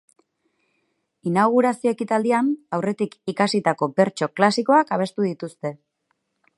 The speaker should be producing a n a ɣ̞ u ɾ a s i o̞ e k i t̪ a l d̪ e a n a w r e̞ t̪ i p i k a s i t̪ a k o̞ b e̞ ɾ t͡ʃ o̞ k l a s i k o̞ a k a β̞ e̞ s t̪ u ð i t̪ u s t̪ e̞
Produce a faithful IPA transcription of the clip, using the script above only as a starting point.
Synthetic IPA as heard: i n a ɣ̞ u ɾ a s i o̞ e k i t̪ a l d̪ i a n a w r e̞ t̪ i k i k a s i t̪ a k o̞ b e̞ ɾ t͡ʃ o̞ k l a s i k o̞ a k a β̞ e̞ s t̪ u ð i t̪ u s t̪ e̞